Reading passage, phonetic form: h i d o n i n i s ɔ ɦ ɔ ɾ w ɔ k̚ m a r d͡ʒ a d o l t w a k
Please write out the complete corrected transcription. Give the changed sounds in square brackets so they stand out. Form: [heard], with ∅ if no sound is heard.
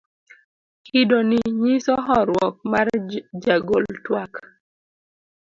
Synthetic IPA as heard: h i d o n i [ɲ] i s ɔ ɦ ɔ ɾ w ɔ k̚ m a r d͡ʒ a [ɡ] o l t w a k